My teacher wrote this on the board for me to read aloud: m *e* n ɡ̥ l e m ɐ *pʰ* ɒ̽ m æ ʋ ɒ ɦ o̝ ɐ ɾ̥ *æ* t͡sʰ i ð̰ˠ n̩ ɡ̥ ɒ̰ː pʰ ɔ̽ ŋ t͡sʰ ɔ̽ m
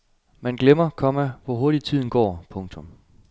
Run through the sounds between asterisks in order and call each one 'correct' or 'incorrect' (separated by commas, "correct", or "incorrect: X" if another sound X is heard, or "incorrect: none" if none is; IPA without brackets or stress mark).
incorrect: æ, incorrect: kʰ, incorrect: i